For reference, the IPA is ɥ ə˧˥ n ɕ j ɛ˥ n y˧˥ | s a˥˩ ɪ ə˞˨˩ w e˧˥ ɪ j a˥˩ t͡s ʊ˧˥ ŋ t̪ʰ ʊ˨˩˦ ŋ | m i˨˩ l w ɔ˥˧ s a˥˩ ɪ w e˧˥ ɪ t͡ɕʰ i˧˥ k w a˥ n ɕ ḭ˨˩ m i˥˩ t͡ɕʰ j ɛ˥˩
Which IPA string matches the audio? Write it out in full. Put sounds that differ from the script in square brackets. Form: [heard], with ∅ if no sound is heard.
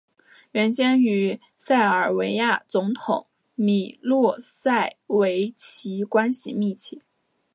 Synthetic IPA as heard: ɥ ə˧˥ n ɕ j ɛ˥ n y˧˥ | s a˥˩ ɪ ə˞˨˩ w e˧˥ ɪ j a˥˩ t͡s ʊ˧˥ ŋ t̪ʰ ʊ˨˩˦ ŋ | m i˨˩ l w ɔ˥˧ s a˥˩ ɪ w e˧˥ ɪ t͡ɕʰ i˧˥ k w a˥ n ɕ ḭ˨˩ m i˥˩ t͡ɕʰ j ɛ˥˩